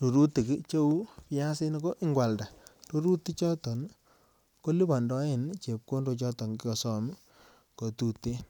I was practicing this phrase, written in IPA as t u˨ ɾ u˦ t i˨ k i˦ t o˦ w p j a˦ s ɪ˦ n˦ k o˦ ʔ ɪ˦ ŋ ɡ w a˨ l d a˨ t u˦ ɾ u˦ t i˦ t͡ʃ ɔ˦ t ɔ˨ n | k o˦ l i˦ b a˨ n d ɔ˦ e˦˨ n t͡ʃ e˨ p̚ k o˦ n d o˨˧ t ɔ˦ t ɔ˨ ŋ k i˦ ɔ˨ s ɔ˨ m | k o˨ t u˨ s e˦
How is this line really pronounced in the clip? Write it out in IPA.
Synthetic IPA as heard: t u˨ ɾ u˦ t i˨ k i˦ t͡ʃ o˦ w p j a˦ s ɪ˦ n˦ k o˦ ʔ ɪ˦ ŋ ɡ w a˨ l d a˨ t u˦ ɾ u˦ t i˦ t͡ʃ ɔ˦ t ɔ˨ n | k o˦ l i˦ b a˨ n d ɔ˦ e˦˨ n t͡ʃ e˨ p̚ k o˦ n d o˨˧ t͡ʃ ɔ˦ t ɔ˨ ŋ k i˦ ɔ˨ s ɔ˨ m | k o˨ t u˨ t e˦